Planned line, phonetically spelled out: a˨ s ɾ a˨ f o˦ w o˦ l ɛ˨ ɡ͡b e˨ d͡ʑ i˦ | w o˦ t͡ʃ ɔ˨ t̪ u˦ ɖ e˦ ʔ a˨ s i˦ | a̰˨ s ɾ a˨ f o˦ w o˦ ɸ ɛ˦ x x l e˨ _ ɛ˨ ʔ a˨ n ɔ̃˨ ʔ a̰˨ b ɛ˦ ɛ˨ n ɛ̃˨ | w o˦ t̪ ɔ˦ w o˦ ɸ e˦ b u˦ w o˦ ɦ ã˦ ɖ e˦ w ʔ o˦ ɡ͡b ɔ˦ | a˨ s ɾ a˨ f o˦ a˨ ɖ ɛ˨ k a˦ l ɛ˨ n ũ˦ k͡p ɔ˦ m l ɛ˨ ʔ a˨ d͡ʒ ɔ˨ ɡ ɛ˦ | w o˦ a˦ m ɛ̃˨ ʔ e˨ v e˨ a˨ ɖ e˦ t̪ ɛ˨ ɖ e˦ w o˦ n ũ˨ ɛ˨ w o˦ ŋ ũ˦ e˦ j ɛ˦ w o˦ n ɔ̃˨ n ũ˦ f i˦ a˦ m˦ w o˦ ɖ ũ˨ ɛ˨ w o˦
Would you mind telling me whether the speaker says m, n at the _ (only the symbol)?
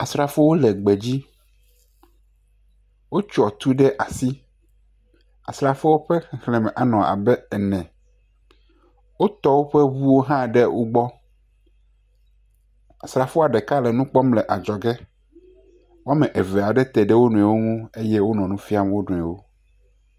m